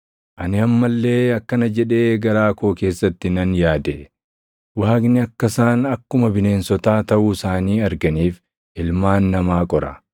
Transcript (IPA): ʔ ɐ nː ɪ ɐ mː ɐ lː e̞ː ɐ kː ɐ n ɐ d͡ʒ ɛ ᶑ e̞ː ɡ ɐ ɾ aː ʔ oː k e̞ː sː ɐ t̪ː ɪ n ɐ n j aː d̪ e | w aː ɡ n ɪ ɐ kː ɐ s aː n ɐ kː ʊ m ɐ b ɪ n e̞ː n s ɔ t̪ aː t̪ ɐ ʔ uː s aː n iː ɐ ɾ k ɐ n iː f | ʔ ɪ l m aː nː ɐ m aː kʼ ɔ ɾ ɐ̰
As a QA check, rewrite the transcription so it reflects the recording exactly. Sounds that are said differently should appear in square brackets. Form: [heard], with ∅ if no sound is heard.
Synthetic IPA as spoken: ʔ ɐ [n] ɪ ɐ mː ɐ lː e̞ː ɐ kː ɐ n ɐ d͡ʒ ɛ ᶑ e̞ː ɡ ɐ ɾ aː [k] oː k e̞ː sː ɐ t̪ː ɪ n ɐ n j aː d̪ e | w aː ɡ n ɪ ɐ kː ɐ s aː n ɐ kː ʊ m ɐ b ɪ n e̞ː n s ɔ t̪ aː t̪ ɐ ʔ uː s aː n iː ɐ ɾ [ɡ] ɐ n iː f | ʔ ɪ l m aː nː ɐ m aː kʼ ɔ ɾ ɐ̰